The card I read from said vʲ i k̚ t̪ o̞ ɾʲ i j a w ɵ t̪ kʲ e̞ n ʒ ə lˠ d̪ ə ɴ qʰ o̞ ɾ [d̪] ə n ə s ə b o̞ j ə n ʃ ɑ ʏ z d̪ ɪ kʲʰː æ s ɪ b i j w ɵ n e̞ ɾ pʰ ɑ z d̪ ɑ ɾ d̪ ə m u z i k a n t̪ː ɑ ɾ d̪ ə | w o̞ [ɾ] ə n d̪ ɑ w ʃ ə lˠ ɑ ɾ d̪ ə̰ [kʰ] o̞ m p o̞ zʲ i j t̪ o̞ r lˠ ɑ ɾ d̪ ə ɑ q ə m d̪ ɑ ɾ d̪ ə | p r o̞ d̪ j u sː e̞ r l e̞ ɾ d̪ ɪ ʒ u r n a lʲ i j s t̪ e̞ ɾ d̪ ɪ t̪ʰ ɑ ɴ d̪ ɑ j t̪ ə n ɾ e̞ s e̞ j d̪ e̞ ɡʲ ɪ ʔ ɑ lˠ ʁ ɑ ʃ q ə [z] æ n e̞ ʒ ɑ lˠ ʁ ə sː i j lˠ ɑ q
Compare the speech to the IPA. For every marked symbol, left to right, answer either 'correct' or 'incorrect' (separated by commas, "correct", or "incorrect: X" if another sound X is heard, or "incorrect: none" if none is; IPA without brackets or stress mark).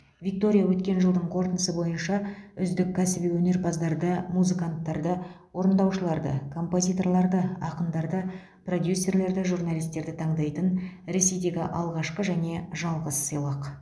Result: incorrect: t̪, correct, correct, incorrect: ʒ